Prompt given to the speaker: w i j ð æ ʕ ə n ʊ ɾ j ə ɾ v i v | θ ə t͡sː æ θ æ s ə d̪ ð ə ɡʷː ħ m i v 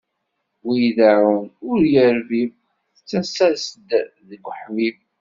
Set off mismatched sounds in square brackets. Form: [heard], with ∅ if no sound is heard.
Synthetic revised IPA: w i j ð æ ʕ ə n ʊ ɾ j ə ɾ v i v | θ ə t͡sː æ [s] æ s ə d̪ ð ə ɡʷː ħ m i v